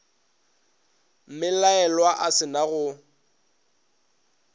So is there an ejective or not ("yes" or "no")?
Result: no